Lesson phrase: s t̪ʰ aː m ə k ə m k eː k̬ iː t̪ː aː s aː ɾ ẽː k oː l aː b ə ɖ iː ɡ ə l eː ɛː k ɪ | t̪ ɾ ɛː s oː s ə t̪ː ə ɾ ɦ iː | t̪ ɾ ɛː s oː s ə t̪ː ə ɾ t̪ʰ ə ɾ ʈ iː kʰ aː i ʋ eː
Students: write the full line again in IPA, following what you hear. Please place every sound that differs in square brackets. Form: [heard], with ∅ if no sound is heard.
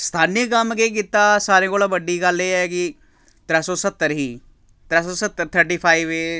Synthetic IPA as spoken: s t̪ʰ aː [n] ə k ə m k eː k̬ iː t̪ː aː s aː ɾ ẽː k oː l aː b ə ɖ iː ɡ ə l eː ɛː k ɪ | t̪ ɾ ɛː s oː s ə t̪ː ə ɾ ɦ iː | t̪ ɾ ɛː s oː s ə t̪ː ə ɾ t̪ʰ ə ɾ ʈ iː [pʰ] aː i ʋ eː